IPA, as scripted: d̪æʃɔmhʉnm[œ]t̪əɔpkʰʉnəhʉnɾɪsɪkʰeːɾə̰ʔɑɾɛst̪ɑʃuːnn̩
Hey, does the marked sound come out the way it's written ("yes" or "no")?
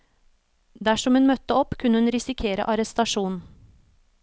yes